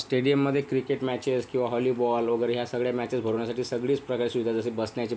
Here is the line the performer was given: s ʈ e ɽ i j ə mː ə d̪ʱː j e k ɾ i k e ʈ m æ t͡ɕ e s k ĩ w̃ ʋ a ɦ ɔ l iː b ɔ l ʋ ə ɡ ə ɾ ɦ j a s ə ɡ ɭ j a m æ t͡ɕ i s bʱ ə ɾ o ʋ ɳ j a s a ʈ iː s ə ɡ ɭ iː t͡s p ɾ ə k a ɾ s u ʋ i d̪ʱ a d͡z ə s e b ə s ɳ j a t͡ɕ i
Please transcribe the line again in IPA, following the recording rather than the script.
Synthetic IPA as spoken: s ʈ e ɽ i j ə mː ə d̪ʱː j e k ɾ i k e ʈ m æ t͡ɕ e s k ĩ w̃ ʋ a ɦ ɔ l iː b ɔ l ʋ ə ɡ ə ɾ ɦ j a s ə ɡ ɭ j a m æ t͡ɕ e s bʱ ə ɾ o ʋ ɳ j a s a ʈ iː s ə ɡ ɭ iː t͡s p ɾ ə k a ɾ s u ʋ i d̪ʱ a d͡z ə s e b ə s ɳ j a t͡ɕ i